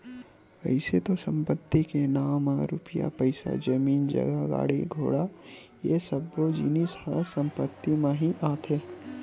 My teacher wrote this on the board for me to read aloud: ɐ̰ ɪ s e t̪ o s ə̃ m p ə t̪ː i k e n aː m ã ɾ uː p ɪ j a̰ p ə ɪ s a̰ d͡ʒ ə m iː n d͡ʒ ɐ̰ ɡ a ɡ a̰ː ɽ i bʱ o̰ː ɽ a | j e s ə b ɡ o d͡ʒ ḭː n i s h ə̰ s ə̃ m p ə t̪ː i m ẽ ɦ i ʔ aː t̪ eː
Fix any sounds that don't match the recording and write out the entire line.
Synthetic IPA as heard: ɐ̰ ɪ s e t̪ o s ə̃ m p ə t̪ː i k e n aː m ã ɾ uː p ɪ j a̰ p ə ɪ s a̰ d͡ʒ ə m iː n d͡ʒ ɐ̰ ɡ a ɡ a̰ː ɽ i ɡʱ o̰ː ɽ a | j e s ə b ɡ o d͡ʒ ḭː n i s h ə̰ s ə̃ m p ə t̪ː i m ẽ ɦ i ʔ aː t̪ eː